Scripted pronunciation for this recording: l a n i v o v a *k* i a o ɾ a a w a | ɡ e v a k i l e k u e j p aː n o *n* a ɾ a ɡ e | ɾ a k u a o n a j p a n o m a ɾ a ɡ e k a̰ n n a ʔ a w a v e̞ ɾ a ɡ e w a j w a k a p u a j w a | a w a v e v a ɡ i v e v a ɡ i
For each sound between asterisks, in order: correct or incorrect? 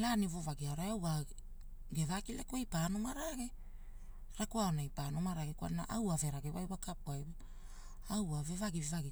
incorrect: ɡ, incorrect: m

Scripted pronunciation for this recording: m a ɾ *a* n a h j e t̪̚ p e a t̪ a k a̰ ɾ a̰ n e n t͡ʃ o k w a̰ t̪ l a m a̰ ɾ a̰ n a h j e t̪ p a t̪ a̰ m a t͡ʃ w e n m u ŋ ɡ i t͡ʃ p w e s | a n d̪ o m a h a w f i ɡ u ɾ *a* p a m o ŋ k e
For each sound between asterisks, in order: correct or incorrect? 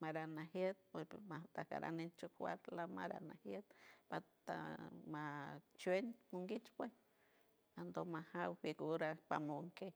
correct, correct

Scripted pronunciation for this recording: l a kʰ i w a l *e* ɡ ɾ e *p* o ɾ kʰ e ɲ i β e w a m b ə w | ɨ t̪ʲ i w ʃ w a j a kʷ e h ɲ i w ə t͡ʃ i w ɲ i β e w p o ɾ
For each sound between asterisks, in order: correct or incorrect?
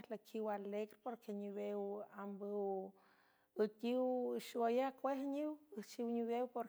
correct, correct

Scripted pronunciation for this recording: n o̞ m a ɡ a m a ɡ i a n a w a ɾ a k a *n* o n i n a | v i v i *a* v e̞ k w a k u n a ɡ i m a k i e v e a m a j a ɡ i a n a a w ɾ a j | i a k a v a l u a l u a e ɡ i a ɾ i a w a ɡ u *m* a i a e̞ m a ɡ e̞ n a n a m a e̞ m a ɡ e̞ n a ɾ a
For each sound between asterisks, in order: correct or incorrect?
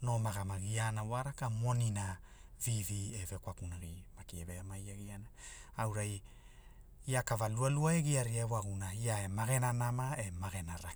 incorrect: m, incorrect: e, incorrect: n

